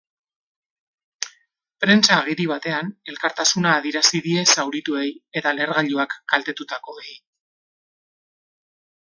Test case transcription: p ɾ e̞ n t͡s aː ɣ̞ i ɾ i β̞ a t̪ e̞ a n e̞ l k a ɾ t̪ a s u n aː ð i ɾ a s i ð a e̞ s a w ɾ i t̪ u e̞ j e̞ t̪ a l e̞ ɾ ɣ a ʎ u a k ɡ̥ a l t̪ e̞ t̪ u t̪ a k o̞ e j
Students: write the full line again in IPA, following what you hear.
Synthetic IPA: p ɾ e̞ n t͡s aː ɣ̞ i ɾ i β̞ a t̪ e̞ a n e̞ l k a ɾ t̪ a s u n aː ð i ɾ a s i ð i e̞ s a w ɾ i t̪ u e̞ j e̞ t̪ a l e̞ ɾ ɣ a ʎ u a k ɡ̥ a l t̪ e̞ t̪ u t̪ a k o̞ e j